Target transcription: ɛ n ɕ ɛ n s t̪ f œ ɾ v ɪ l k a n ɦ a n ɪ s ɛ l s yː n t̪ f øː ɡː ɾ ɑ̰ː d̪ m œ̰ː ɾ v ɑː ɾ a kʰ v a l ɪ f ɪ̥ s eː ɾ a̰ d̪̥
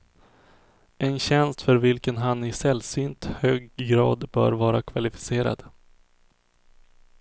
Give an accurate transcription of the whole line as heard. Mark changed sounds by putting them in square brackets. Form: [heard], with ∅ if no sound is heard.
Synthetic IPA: ɛ n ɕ ɛ n s t̪ f œ ɾ v ɪ l k [ə] n ɦ a n ɪ s ɛ l s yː n t̪ [h] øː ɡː ɾ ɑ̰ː d̪ [b] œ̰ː ɾ v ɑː ɾ a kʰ v a l ɪ f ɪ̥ s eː ɾ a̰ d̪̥

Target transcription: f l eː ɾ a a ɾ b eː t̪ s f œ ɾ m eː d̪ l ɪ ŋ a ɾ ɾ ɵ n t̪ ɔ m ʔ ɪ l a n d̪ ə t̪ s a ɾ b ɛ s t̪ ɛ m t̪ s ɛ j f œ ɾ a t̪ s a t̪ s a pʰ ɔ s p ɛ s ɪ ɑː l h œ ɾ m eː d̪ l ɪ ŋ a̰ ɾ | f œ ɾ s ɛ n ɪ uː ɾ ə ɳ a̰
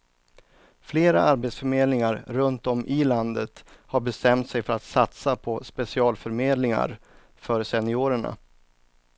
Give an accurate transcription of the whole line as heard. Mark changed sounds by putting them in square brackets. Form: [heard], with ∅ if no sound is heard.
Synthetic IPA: f l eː ɾ a a ɾ b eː t̪ s f œ ɾ m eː d̪ l ɪ ŋ a ɾ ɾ ɵ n t̪ ɔ m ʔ ɪ l a n d̪ ə t̪ [h] a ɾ b ɛ s t̪ ɛ m t̪ s ɛ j f œ ɾ a t̪ s a t̪ s a pʰ ɔ s p ɛ s ɪ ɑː l [f] œ ɾ m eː d̪ l ɪ ŋ a̰ ɾ | f œ ɾ s ɛ n ɪ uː ɾ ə ɳ a̰

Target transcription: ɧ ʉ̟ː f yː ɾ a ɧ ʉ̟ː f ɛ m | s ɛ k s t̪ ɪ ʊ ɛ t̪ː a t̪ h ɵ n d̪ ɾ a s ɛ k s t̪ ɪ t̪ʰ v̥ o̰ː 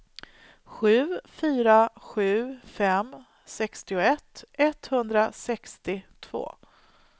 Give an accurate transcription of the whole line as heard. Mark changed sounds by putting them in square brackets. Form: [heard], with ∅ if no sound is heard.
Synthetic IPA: ɧ ʉ̟ː f yː ɾ a ɧ ʉ̟ː f ɛ m | s ɛ k s t̪ ɪ ʊ ɛ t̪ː [ɛ] t̪ h ɵ n d̪ ɾ a s ɛ k s t̪ ɪ t̪ʰ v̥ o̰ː

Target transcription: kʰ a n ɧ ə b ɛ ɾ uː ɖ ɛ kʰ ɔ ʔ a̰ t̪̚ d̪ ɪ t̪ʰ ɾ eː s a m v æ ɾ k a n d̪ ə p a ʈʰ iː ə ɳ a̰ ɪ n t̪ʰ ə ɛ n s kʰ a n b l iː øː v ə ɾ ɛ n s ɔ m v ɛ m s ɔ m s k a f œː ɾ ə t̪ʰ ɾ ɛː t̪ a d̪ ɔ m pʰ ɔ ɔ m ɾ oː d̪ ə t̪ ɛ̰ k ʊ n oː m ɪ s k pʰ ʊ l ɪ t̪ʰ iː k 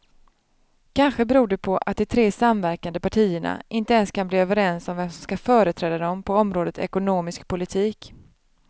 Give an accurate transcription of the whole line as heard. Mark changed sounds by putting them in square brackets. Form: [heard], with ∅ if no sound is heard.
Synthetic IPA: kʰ a n ɧ ə b ɛ ɾ uː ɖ ɛ [pʰ] ɔ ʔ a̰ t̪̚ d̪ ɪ t̪ʰ ɾ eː s a m v æ ɾ k a n d̪ ə p a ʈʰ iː ə ɳ a̰ ɪ n [t̪] ə ɛ n s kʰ a n b l iː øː v ə ɾ ɛ n s ɔ m v ɛ m s ɔ m s k a f œː ɾ ə t̪ʰ ɾ ɛː [d̪] a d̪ ɔ m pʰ ɔ ɔ m ɾ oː d̪ ə t̪ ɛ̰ k ʊ n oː m ɪ s k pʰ ʊ l ɪ t̪ʰ iː k

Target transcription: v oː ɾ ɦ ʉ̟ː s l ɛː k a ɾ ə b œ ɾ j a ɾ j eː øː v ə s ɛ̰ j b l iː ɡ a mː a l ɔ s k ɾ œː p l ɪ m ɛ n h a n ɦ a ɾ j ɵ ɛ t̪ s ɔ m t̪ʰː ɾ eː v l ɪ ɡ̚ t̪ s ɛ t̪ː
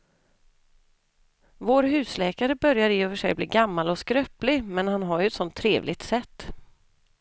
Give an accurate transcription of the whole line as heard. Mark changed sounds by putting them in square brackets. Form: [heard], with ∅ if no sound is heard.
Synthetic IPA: v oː ɾ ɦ ʉ̟ː s l ɛː k a ɾ ə b œ ɾ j a ɾ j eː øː v ə [ʂ] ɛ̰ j b l iː ɡ a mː a l ɔ s k ɾ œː p l ɪ m ɛ n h a n ɦ a ɾ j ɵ ɛ t̪ s ɔ [n] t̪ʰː ɾ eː v l ɪ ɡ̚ t̪ s ɛ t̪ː

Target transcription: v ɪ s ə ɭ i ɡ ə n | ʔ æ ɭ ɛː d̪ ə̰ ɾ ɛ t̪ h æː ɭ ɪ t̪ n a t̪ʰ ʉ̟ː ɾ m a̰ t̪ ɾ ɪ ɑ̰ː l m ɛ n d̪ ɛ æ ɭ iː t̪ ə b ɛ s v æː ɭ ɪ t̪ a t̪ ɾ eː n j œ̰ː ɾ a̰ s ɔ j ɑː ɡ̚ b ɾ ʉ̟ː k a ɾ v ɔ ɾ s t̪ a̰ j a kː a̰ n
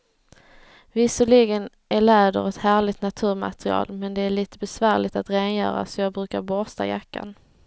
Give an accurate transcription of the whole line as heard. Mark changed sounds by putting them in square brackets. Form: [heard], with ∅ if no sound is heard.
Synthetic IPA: v ɪ s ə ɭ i ɡ ə n | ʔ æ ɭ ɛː d̪ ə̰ ɾ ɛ t̪ h æː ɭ ɪ t̪ n a t̪ʰ ʉ̟ː ɾ m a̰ t̪ ɾ ɪ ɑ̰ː l m ɛ n d̪ ɛ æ ɭ iː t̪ ə b ɛ s v æː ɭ ɪ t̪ a t̪ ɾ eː n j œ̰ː ɾ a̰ s ɔ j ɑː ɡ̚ b ɾ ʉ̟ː k a ɾ [b] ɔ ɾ s t̪ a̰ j a kː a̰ n

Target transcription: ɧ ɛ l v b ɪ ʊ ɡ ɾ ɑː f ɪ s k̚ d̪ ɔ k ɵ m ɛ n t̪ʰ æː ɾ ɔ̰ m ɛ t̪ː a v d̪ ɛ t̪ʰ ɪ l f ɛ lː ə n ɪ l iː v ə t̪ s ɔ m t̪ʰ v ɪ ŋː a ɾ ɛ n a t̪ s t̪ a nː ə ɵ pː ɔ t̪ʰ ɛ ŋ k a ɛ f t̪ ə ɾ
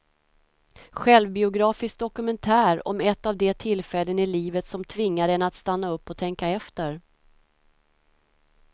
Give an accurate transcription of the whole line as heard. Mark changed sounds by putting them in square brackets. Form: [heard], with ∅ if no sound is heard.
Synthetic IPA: ɧ ɛ l v b ɪ ʊ ɡ ɾ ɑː f ɪ s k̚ d̪ ɔ k ɵ m ɛ n t̪ʰ æː ɾ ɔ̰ m ɛ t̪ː a v d̪ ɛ t̪ʰ ɪ l f ɛ lː ə n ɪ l iː v ə t̪ s ɔ m t̪ʰ v ɪ ŋː a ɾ ɛ n a t̪ s t̪ a nː [a] ɵ pː ɔ t̪ʰ ɛ ŋ k a ɛ f t̪ ə ɾ

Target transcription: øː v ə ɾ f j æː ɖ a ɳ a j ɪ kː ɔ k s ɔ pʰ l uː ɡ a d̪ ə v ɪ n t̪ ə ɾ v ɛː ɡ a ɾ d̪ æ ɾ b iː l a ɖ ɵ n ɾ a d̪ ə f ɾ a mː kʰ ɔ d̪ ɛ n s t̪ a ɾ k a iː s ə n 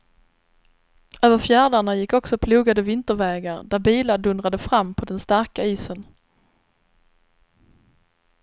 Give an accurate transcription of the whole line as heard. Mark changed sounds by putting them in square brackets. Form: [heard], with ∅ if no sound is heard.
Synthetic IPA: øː v ə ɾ f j æː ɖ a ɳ a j ɪ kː ɔ k s ɔ pʰ l uː ɡ a d̪ ə v ɪ n t̪ ə ɾ v ɛː ɡ a ɾ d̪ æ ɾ b iː l a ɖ ɵ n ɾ a d̪ ə f ɾ a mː [pʰ] ɔ d̪ ɛ n s t̪ a ɾ k a iː s ə n

